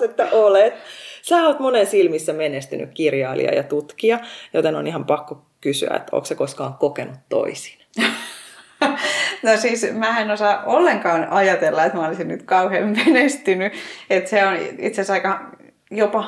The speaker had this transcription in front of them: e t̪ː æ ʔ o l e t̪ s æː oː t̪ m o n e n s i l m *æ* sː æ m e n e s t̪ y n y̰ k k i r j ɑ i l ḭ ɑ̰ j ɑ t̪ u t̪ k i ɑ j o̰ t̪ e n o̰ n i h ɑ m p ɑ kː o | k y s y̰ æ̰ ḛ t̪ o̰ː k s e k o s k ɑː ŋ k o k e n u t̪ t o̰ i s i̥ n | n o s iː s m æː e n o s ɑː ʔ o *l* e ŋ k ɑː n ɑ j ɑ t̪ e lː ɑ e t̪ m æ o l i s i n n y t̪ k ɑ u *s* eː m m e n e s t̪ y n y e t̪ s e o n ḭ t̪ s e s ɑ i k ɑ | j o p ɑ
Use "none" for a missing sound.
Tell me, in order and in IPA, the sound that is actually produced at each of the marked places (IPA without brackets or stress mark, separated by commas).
i, lː, h